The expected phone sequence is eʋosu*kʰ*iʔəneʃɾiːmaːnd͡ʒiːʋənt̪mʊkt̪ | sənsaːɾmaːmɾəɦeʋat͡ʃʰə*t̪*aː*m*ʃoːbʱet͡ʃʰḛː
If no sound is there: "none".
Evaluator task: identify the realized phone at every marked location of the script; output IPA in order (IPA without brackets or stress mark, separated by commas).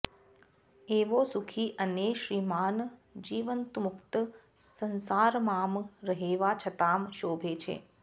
kʰ, t̪, m